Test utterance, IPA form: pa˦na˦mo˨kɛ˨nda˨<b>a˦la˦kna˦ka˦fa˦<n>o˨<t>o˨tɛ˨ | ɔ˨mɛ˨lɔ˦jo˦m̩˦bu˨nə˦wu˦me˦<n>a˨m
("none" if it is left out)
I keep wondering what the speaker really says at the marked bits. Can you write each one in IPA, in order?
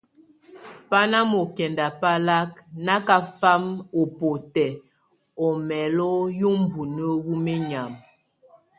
p, m, p, ɲ

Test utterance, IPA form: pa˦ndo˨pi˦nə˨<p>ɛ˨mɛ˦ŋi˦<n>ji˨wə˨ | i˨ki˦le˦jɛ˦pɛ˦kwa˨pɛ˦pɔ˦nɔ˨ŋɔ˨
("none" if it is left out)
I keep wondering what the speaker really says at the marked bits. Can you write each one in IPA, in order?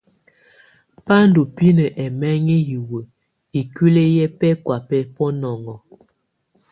ʔ, none

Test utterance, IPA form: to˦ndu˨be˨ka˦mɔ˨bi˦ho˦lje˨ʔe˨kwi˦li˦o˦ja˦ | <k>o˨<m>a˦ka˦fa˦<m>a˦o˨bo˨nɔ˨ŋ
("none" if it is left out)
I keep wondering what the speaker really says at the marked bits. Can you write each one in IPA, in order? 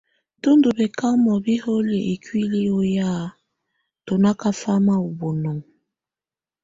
t, n, m

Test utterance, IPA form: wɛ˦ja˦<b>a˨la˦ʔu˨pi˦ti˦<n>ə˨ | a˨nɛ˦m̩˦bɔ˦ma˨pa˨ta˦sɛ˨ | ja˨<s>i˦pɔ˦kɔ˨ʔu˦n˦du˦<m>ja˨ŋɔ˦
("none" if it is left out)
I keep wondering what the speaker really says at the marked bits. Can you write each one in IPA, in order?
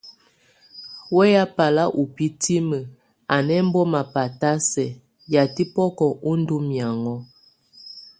p, m, t, m

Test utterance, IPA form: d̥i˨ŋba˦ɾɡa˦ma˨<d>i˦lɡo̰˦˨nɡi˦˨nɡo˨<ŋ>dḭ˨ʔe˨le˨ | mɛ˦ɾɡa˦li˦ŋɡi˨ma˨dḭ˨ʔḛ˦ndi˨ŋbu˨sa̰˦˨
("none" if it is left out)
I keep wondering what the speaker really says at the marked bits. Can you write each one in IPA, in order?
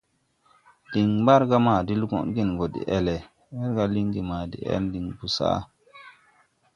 d, none

